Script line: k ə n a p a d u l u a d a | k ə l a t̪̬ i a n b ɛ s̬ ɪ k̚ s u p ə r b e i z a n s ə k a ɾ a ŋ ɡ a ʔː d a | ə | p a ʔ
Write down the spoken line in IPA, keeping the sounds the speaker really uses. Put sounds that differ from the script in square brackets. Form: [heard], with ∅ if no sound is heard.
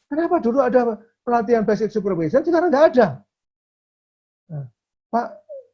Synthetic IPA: k ə n a p a d u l u a d a | [p] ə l a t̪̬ i a n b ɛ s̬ ɪ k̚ s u p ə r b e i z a n s ə k a ɾ a ŋ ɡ a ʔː d a | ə | p a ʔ